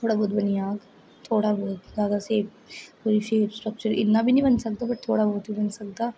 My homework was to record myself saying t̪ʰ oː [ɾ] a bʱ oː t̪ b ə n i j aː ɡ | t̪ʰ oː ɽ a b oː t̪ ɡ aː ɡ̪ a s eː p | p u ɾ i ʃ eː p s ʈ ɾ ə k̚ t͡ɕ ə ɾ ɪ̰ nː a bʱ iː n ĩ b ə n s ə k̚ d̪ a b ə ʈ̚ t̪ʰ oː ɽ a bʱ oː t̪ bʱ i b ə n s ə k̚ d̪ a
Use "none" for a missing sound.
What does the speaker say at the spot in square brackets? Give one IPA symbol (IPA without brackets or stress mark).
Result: ɽ